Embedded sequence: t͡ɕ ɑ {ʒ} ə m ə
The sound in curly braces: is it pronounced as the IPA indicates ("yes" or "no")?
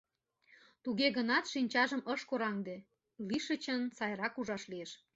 yes